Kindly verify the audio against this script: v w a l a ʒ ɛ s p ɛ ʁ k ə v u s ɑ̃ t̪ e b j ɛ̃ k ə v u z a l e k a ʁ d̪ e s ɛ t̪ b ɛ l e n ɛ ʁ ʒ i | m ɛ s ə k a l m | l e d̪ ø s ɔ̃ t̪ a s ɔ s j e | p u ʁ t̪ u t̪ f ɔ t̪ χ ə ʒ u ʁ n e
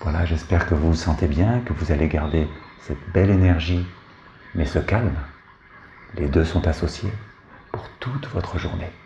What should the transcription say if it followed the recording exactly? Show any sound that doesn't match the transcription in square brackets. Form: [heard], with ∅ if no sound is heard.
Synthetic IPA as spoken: v w a l a ʒ ɛ s p ɛ ʁ k ə v u s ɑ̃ t̪ e b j ɛ̃ k ə v u z a l e [ɡ] a ʁ d̪ e s ɛ t̪ b ɛ l e n ɛ ʁ ʒ i | m ɛ s ə k a l m | l e d̪ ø s ɔ̃ t̪ a s ɔ s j e | p u ʁ t̪ u t̪ [v] ɔ t̪ χ ə ʒ u ʁ n e